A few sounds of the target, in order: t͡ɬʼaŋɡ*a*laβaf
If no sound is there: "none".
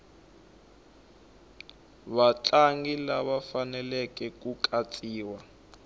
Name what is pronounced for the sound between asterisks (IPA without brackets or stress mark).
i